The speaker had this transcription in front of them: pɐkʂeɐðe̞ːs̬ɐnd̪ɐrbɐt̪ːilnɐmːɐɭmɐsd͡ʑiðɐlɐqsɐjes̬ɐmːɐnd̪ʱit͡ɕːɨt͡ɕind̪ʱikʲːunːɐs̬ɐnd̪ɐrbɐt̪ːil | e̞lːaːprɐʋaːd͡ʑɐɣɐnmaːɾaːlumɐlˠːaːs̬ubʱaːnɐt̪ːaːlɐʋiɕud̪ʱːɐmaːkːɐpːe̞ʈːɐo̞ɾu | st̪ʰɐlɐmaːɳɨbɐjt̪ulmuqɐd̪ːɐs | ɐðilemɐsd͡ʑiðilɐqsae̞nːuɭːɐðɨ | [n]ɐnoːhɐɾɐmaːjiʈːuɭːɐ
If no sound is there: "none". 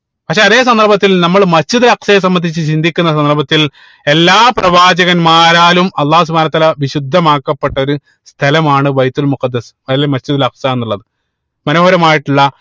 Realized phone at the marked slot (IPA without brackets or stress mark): m